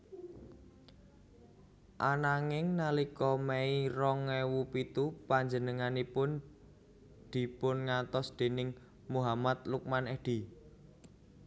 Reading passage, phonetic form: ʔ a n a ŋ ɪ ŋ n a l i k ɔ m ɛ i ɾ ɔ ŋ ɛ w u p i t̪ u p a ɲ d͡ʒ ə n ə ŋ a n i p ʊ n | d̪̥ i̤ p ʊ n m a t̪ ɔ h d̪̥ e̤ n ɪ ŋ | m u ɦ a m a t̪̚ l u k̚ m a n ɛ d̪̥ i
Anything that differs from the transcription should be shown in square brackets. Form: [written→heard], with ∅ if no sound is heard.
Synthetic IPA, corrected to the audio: ʔ a n a ŋ ɪ ŋ n a l i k ɔ m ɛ i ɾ ɔ ŋ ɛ w u p i t̪ u p a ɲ d͡ʒ ə n ə ŋ a n i p ʊ n | d̪̥ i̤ p ʊ n [m→ŋ] a t̪ ɔ [h→s] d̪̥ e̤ n ɪ ŋ | m u ɦ a m a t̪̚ l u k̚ m a n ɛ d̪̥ i

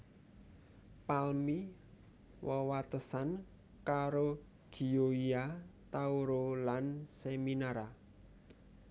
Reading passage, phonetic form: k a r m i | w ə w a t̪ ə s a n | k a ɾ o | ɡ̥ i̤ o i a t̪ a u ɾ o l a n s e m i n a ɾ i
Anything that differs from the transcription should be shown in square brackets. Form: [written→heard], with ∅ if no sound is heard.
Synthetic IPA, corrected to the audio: [k→p] a [r→l] m i | w ə w a t̪ ə s a n | k a ɾ o | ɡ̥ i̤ o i a t̪ a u ɾ o l a n s e m i n a ɾ [i→a]

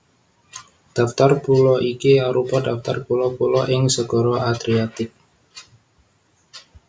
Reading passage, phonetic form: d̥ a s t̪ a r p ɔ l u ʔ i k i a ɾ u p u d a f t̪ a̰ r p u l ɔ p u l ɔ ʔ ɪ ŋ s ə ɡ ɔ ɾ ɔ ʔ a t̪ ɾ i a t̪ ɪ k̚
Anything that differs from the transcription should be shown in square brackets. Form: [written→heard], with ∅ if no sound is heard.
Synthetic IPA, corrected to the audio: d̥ a [s→f] t̪ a r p [ɔ→u] l [u→ɔ] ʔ i k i a ɾ u p [u→ɔ] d a f t̪ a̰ r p u l ɔ p u l ɔ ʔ ɪ ŋ s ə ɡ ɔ ɾ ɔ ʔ a [t̪→d̪] ɾ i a t̪ ɪ k̚

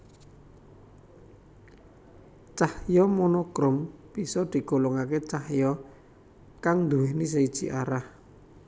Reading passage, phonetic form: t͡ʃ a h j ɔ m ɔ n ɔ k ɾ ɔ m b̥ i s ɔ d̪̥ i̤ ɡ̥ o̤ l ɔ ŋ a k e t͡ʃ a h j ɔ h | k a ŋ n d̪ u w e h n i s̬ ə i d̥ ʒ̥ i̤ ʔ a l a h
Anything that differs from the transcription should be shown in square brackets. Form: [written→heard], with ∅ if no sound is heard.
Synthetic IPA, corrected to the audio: t͡ʃ a h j ɔ m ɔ n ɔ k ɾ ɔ m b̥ i s ɔ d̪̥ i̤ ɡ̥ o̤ l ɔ ŋ a k e t͡ʃ a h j ɔ [h→∅] | k a ŋ n d̪ u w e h n i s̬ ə i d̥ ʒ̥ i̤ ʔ a [l→ɾ] a h

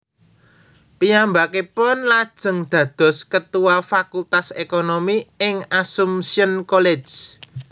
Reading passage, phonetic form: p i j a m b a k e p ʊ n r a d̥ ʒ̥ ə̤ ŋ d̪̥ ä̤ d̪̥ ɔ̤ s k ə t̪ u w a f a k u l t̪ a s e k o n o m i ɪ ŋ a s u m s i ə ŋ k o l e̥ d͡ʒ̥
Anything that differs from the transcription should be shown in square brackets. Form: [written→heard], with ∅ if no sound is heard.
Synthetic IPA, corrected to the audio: p i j a m b a k e p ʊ n [r→l] a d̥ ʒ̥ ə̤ ŋ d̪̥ ä̤ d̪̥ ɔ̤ s k ə t̪ u w a f a k u l t̪ a s e k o n o m i ɪ ŋ a s u m s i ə [ŋ→n] k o l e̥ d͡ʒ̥

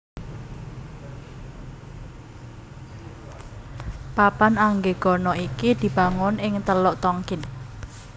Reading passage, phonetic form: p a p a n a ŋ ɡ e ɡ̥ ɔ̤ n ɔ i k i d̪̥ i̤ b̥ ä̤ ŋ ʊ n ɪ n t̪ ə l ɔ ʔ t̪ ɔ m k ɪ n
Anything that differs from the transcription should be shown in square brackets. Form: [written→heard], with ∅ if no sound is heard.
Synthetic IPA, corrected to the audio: p a p a n a ŋ ɡ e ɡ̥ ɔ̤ n ɔ i k i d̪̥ i̤ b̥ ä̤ ŋ ʊ n ɪ [n→ŋ] t̪ ə l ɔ ʔ t̪ ɔ [m→ŋ] k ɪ n

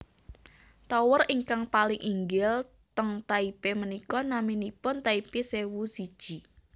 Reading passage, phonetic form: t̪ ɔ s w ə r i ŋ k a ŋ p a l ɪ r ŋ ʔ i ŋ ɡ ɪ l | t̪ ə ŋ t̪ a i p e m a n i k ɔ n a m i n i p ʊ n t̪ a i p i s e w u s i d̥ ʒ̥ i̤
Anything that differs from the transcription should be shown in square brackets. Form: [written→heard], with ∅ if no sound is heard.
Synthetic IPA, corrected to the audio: t̪ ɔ [s→∅] w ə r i ŋ k a ŋ p a l ɪ [r→∅] ŋ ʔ i ŋ ɡ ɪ l | t̪ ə ŋ t̪ a i p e m [a→ə] n i k ɔ n a m i n i p ʊ n t̪ a i p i s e w u s i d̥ ʒ̥ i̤

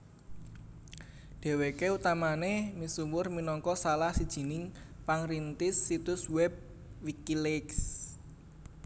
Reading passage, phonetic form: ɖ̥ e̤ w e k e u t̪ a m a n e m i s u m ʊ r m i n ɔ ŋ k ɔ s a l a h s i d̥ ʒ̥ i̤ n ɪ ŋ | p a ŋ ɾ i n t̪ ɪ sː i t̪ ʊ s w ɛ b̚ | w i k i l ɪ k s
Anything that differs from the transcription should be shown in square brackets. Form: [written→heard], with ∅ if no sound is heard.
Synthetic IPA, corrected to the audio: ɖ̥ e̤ w e k e u t̪ a m a n e m i s u m ʊ r m i n ɔ ŋ k ɔ s a l a h s i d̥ ʒ̥ i̤ n ɪ ŋ | p a ŋ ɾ i n t̪ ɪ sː i t̪ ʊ s w ɛ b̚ | w i k i l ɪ k s

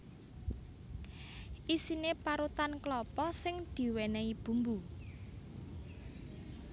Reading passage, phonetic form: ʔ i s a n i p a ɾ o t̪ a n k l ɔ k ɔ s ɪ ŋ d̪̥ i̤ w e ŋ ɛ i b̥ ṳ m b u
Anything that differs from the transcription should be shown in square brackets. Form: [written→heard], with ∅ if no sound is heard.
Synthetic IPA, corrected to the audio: ʔ i s [a→i] n [i→e] p a ɾ [o→u] t̪ a n k l ɔ [k→p] ɔ s ɪ ŋ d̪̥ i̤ w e [ŋ→n] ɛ i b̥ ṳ m b u

